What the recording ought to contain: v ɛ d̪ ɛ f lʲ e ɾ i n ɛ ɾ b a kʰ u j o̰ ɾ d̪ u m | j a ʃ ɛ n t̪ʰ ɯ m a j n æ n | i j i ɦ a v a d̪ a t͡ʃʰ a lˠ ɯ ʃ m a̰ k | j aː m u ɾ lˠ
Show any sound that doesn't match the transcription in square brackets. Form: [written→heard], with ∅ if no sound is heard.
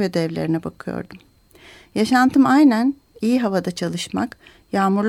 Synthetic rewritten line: v ɛ d̪ ɛ [f→v] lʲ e ɾ i n ɛ [ɾ→∅] b a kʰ [u→ɯ] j o̰ ɾ d̪ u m | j a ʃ [ɛ→a] n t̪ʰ ɯ m a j n æ n | i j i ɦ a v a d̪ a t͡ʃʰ a lˠ ɯ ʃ m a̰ k | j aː m u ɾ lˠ